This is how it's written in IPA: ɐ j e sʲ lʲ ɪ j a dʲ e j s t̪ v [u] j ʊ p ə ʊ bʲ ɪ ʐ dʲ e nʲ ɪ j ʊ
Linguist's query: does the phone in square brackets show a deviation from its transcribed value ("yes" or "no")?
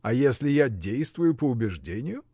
yes